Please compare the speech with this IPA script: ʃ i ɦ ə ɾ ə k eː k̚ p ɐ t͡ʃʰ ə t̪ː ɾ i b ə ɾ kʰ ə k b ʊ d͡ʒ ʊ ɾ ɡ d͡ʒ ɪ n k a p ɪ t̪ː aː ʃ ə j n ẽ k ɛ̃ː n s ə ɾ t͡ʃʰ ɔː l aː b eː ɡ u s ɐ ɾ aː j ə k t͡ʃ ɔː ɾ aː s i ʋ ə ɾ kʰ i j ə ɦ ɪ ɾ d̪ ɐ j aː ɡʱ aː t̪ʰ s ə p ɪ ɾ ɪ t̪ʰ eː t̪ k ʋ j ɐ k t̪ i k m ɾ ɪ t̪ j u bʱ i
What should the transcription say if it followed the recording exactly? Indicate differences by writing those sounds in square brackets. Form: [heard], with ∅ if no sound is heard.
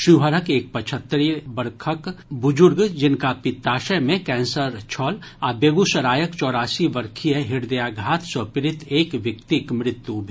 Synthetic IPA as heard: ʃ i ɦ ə ɾ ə k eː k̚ p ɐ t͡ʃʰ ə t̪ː ɾ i b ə ɾ kʰ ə k b ʊ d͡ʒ ʊ ɾ ɡ d͡ʒ ɪ n k a p ɪ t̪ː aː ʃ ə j [m] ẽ k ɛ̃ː n s ə ɾ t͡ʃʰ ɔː l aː b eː ɡ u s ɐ ɾ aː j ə k t͡ʃ ɔː ɾ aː s i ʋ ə ɾ kʰ i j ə ɦ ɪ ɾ d̪ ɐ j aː ɡʱ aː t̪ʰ s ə p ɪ ɾ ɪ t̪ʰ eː [∅] k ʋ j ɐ k t̪ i k m ɾ ɪ t̪ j u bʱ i